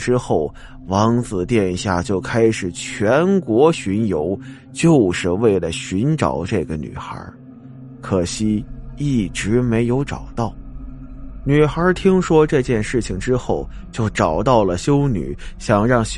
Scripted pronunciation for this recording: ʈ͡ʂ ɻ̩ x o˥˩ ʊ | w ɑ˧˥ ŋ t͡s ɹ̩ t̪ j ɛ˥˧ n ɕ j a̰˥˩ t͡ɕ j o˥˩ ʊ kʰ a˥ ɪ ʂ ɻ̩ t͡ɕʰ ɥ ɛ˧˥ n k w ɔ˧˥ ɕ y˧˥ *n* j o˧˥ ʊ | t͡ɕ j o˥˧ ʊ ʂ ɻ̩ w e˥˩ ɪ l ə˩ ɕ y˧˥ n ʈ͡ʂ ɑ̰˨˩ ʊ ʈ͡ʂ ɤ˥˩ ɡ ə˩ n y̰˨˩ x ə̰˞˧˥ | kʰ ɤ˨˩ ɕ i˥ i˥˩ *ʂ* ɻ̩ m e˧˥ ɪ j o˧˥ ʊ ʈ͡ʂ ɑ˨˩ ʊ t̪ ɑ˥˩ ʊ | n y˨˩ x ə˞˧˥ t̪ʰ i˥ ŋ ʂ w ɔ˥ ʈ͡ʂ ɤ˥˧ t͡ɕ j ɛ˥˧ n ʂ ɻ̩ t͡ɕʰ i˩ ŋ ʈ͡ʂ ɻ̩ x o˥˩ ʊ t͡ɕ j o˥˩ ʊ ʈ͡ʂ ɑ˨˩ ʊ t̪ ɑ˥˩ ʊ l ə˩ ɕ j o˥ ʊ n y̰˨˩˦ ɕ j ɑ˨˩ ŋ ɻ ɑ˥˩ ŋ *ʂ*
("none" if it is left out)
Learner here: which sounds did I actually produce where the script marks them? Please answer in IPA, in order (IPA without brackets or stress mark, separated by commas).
n, ʈ͡ʂ, ɕ